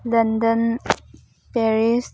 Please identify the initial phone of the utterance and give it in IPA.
l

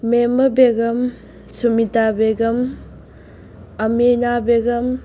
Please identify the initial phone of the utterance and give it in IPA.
m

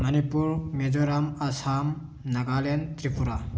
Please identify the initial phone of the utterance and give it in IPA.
m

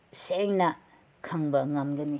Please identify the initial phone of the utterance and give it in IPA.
s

